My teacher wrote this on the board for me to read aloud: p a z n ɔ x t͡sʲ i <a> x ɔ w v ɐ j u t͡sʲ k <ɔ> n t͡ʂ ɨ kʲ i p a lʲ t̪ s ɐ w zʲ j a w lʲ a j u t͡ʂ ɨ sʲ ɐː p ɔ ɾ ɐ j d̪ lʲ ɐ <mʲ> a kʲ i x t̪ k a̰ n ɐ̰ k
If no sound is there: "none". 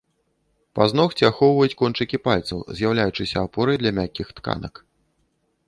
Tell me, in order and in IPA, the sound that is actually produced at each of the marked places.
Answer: a, ɔ, mʲ

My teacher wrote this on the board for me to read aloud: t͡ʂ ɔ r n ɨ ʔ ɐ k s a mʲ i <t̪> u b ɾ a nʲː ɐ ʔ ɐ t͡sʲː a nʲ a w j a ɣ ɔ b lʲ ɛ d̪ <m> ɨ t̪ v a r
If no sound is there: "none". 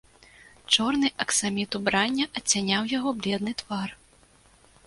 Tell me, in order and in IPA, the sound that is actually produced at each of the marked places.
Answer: t̪, n

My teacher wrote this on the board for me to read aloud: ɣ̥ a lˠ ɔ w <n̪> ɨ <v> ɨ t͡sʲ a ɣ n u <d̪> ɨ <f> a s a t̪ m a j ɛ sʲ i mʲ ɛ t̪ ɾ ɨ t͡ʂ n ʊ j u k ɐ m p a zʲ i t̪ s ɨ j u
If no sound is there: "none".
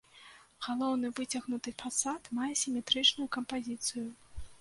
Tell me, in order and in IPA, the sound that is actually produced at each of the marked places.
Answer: n̪, v, t̪, f

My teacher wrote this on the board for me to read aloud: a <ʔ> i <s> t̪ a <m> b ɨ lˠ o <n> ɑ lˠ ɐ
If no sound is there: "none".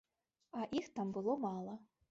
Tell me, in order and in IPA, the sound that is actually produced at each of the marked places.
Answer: ʔ, x, m, m

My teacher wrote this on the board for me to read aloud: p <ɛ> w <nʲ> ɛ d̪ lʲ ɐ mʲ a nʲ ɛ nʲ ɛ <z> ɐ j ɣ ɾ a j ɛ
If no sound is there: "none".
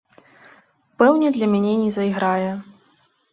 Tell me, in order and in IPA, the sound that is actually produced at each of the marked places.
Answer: ɛ, nʲ, z

